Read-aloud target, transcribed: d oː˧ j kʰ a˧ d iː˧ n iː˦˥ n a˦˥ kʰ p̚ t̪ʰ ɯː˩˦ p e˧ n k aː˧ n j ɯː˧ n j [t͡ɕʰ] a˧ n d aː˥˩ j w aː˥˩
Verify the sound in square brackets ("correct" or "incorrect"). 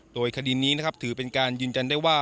incorrect